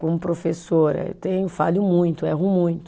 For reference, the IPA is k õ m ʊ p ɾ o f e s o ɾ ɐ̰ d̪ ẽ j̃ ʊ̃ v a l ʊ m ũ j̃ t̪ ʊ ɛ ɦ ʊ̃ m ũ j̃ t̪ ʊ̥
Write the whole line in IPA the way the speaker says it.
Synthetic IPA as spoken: k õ m ʊ p ɾ o f e s o ɾ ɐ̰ t̪ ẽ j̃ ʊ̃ f a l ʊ m ũ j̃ t̪ ʊ ɛ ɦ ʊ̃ m ũ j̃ t̪ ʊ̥